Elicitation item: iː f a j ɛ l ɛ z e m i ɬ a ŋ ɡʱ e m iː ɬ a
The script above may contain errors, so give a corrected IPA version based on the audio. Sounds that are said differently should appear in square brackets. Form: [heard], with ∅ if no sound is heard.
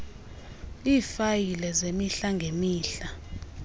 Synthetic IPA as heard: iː f a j [i] l ɛ z e m i ɬ a ŋ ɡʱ e m iː ɬ a